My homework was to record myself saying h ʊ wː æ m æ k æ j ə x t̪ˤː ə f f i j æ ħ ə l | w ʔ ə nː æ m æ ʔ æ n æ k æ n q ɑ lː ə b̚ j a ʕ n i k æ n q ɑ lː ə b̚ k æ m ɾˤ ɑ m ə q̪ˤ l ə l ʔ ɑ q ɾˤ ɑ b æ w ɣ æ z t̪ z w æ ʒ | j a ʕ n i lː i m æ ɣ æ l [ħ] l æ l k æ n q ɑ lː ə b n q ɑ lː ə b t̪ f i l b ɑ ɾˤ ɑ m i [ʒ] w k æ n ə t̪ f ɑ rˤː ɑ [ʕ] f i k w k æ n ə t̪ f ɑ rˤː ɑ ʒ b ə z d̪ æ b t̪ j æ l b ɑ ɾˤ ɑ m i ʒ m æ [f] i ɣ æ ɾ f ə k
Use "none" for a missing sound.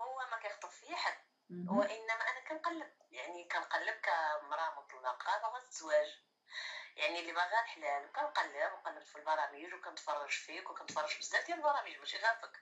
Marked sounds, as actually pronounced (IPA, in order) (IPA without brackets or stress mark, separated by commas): ħ, ʒ, ʒ, ʃ